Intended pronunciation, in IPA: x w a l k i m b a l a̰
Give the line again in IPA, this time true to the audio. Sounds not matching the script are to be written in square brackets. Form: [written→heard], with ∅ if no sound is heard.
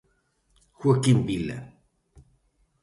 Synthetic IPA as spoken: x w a [l→∅] k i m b [a→i] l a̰